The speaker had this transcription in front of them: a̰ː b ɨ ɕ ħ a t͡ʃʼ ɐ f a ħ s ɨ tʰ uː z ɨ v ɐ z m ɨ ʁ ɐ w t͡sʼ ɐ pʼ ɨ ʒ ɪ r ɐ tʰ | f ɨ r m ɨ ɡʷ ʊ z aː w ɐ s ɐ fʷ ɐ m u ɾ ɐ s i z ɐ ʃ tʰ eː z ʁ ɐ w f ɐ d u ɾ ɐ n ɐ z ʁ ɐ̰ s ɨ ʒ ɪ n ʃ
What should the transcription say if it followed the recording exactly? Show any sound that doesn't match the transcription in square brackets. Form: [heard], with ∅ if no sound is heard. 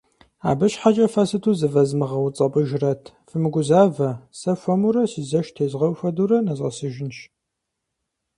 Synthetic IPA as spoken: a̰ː b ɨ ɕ ħ a t͡ʃʼ ɐ f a [∅] s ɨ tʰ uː z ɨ v ɐ z m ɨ ʁ ɐ w t͡sʼ ɐ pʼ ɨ ʒ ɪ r ɐ tʰ | f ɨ [∅] m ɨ ɡʷ ʊ z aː [v] ɐ s ɐ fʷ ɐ m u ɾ ɐ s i z ɐ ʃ tʰ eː z ʁ ɐ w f ɐ d u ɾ ɐ n ɐ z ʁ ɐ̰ s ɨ ʒ ɪ n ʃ